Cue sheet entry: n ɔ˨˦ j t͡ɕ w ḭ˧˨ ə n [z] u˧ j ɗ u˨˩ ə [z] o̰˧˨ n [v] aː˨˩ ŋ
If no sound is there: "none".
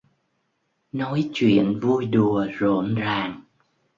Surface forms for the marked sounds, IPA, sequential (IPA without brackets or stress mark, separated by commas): v, z, z